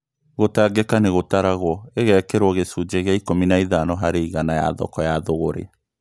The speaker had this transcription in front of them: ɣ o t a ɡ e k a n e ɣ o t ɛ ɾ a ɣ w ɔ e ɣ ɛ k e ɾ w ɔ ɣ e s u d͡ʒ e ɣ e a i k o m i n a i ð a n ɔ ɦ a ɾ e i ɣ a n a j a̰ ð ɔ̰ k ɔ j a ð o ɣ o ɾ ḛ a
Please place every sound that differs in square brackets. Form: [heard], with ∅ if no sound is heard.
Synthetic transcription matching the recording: ɣ o t a ɡ e k a n e ɣ o t [a] ɾ a ɣ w ɔ e ɣ ɛ k e ɾ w ɔ ɣ e s u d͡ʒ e ɣ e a i k o m i n a i ð a n ɔ ɦ a ɾ e i ɣ a n a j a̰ ð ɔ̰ k ɔ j a ð o ɣ o ɾ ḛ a